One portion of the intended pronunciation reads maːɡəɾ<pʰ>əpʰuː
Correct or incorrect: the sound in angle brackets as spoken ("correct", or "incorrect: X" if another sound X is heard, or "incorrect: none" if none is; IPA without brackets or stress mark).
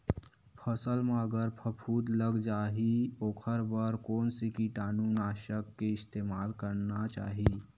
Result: correct